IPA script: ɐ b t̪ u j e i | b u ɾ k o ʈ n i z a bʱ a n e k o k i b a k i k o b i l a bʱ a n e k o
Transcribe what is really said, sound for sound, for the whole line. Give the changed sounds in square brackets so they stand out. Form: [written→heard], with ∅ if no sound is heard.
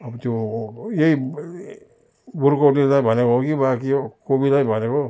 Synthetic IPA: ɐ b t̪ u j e i | b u ɾ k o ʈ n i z a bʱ a n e k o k i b a k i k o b i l a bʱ a n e k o

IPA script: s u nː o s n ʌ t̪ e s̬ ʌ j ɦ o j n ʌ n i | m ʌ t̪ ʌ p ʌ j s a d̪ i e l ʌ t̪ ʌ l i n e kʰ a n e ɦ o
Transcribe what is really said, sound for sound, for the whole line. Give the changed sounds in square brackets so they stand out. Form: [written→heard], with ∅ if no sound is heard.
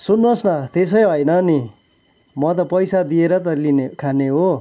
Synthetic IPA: s u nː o s n ʌ t̪ e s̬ ʌ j ɦ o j n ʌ n i | m ʌ t̪ ʌ p ʌ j s a d̪ i e [l→ɾ] ʌ t̪ ʌ l i n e kʰ a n e ɦ o

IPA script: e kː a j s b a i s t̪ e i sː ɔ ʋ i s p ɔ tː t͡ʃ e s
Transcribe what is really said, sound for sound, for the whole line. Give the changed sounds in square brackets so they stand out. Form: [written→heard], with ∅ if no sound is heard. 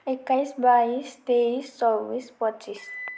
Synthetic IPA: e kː a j s b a i s t̪ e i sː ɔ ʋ i s p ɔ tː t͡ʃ [e→i] s

